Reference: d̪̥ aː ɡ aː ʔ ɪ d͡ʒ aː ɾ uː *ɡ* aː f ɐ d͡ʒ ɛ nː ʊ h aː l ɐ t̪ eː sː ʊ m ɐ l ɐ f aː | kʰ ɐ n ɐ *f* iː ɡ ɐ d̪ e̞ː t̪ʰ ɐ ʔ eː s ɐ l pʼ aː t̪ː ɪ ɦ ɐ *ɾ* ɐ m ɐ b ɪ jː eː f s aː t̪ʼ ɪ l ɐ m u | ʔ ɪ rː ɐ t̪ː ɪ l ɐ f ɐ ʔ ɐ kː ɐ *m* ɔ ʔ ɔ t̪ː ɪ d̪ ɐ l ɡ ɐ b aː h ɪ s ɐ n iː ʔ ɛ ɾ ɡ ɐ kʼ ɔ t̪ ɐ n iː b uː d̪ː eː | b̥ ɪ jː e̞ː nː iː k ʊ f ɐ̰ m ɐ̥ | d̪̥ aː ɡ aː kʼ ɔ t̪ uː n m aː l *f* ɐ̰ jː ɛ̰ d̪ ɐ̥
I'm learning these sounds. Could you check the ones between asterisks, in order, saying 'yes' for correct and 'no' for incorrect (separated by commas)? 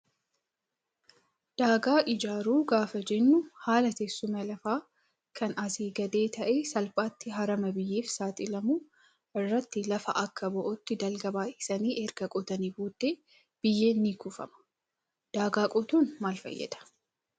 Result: yes, no, yes, no, yes